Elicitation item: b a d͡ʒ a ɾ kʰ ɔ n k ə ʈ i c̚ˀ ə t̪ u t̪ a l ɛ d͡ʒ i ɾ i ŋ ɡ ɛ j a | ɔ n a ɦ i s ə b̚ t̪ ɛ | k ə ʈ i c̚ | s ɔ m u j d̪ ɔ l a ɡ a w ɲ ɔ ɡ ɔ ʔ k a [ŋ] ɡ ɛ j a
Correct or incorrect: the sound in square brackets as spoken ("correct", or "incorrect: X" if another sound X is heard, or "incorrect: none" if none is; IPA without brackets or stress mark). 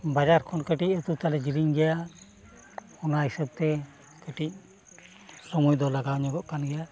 incorrect: n